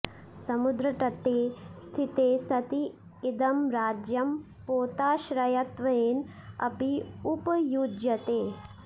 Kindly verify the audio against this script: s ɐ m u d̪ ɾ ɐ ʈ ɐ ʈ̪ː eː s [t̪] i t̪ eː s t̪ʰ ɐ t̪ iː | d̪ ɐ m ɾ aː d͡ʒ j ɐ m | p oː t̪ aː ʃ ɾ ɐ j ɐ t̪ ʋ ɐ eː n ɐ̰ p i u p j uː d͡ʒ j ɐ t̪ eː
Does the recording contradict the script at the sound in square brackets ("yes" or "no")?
yes